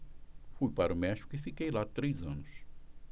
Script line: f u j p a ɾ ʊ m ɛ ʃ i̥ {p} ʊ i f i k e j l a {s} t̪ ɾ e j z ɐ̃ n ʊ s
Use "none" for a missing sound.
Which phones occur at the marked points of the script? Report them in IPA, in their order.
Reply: k, none

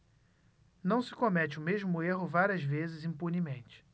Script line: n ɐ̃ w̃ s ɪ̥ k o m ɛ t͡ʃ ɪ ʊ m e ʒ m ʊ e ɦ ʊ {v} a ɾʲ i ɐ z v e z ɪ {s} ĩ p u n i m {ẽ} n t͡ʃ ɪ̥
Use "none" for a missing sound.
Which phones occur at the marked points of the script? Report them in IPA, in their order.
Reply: v, z, ẽ

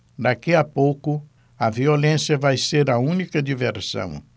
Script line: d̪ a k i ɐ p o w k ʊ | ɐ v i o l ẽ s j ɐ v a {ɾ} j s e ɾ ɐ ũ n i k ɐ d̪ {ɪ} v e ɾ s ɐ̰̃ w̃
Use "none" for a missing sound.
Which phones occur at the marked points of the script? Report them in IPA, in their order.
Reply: none, i

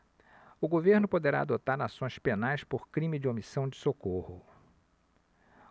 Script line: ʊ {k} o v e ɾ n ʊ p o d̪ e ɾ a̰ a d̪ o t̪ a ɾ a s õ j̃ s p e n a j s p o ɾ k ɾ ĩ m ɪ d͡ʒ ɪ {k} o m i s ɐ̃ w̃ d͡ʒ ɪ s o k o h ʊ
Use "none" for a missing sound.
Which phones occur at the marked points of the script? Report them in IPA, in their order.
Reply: ɡ, none

